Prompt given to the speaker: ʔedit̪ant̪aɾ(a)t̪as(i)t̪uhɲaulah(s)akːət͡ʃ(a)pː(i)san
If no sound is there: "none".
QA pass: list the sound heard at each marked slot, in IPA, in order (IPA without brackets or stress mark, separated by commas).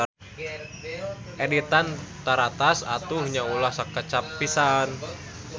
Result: a, a, s, a, i